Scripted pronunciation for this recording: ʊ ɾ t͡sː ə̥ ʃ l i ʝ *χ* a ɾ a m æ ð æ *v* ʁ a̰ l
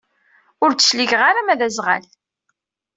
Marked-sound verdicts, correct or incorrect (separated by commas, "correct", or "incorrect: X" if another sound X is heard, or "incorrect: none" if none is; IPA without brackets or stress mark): incorrect: ʁ, incorrect: z